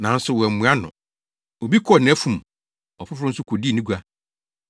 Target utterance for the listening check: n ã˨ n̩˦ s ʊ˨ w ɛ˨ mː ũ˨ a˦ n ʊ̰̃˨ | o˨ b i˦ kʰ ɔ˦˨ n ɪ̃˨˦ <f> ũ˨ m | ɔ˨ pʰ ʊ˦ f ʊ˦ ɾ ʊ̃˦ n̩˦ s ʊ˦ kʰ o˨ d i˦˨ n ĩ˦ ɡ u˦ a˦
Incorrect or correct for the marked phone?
correct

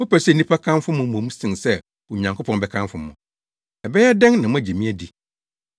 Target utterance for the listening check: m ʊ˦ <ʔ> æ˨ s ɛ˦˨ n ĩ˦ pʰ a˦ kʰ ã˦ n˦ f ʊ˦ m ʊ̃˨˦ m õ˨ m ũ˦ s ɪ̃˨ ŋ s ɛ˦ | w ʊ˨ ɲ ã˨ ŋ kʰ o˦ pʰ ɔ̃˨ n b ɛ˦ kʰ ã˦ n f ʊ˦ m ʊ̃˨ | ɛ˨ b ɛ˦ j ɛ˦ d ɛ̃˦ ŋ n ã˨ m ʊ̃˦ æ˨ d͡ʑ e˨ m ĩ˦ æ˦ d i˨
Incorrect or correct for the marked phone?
incorrect: p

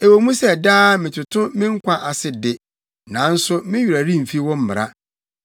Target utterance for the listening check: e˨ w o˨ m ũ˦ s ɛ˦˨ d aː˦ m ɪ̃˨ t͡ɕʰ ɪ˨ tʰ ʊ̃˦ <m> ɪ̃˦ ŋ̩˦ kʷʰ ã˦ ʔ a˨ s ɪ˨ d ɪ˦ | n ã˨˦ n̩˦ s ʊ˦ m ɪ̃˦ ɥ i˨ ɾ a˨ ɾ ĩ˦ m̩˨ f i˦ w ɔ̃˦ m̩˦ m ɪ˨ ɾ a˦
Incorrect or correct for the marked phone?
correct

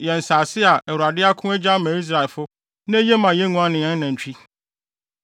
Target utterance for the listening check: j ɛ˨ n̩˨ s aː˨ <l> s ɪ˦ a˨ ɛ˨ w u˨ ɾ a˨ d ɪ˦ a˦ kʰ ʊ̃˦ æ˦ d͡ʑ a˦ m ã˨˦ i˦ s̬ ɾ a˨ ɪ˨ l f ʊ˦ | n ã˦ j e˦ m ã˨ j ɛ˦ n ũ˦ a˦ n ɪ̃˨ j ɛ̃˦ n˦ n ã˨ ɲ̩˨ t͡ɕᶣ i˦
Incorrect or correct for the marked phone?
incorrect: none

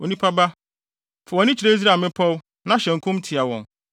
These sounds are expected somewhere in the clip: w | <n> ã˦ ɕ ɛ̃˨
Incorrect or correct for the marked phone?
correct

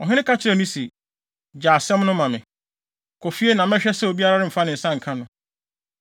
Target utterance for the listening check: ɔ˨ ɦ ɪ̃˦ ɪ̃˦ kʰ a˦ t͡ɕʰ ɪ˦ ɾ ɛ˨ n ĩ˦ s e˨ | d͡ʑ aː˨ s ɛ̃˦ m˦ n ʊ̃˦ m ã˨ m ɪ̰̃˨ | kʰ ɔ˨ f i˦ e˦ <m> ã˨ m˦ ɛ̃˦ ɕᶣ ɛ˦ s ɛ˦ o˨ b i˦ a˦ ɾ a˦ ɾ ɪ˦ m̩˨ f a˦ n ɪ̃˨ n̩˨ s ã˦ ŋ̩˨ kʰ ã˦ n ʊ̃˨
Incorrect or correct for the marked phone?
incorrect: n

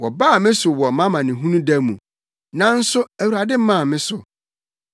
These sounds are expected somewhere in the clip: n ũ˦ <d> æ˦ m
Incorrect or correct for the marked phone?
correct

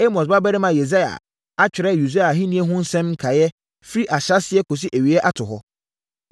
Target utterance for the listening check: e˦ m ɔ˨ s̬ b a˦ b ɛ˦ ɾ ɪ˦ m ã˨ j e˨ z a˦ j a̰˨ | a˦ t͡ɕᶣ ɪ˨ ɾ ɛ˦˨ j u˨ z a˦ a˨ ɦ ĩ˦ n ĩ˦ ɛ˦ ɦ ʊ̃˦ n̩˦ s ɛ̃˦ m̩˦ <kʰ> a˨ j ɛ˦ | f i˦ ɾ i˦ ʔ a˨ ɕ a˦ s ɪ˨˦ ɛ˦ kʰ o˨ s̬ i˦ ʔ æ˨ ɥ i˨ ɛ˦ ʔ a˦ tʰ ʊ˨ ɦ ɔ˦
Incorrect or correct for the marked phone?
correct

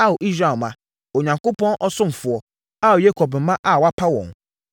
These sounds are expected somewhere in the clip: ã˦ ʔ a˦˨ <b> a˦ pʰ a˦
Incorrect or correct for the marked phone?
incorrect: w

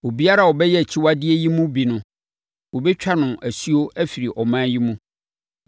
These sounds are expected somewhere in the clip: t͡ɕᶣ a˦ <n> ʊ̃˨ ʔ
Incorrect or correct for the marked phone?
correct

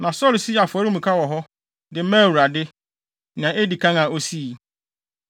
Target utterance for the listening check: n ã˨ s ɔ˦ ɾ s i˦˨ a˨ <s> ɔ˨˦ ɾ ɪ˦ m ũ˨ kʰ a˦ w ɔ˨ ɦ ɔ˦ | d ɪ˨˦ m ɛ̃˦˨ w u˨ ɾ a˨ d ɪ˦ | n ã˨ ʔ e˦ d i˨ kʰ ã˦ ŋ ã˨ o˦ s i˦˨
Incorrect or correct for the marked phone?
incorrect: f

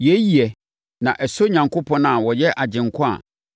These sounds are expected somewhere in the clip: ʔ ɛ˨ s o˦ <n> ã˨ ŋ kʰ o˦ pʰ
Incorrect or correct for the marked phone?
incorrect: ɲ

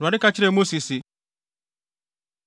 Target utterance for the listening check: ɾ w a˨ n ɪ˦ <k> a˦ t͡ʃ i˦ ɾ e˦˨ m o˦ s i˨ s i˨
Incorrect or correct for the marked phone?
correct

